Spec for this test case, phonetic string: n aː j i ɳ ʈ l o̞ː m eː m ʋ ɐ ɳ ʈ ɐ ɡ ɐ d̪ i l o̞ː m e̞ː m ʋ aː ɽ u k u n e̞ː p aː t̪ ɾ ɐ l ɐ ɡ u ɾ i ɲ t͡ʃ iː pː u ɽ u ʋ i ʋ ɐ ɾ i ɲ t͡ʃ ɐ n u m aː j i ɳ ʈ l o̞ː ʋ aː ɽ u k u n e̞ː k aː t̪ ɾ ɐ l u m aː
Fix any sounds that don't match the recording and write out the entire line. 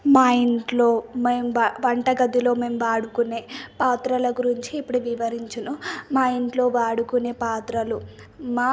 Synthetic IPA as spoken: m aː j i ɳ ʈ l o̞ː m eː m ʋ ɐ ɳ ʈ ɐ ɡ ɐ d̪ i l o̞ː m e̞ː m ʋ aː ɽ u k u n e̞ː p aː t̪ ɾ ɐ l ɐ ɡ u ɾ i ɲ t͡ʃ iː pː u ɽ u ʋ i ʋ ɐ ɾ i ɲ t͡ʃ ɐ n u m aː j i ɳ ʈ l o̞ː ʋ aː ɽ u k u n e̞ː p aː t̪ ɾ ɐ l u m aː